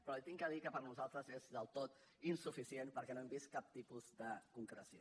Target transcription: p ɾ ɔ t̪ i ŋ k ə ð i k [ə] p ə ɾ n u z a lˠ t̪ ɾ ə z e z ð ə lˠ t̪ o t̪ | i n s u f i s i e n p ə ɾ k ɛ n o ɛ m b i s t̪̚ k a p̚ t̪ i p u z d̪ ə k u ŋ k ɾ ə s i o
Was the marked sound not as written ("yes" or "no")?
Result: no